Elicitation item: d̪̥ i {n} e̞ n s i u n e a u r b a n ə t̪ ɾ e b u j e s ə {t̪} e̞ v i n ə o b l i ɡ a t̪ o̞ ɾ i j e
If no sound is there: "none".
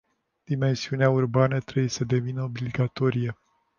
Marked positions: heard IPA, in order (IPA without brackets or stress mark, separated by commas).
m, d̪